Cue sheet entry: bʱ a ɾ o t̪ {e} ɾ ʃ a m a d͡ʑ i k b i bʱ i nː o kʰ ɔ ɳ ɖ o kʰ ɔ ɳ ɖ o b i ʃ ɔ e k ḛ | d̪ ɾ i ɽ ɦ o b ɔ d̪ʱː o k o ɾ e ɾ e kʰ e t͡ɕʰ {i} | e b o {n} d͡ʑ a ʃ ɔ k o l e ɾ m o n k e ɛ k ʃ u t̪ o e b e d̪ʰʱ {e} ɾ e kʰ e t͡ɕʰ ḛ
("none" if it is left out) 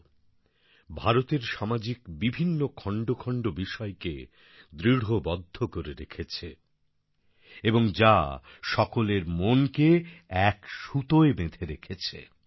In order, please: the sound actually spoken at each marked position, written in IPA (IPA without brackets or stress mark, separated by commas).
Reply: e, e, ŋ, e